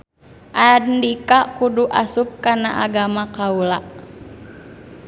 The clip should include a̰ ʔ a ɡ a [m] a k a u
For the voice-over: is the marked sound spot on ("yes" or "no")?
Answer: yes